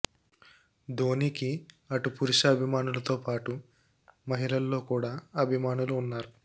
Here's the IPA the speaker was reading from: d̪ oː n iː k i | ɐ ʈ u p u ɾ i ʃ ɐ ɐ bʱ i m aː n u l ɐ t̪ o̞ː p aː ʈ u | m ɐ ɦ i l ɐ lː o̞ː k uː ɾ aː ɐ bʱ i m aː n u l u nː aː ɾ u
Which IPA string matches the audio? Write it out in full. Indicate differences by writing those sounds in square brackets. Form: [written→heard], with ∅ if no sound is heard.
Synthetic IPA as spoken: d̪ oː n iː k i | ɐ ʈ u p u ɾ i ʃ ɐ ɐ bʱ i m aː n u l ɐ t̪ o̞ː p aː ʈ u | m ɐ ɦ i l ɐ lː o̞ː k uː [ɾ→ɽ] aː ɐ bʱ i m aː n u l [u→uː] nː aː ɾ u